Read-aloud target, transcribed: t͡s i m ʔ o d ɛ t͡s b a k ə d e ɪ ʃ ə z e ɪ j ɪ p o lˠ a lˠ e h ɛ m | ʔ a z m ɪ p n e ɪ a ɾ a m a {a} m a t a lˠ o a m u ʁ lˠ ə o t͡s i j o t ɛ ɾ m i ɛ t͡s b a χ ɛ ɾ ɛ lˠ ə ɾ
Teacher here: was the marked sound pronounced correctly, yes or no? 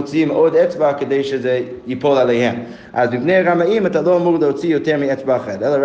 no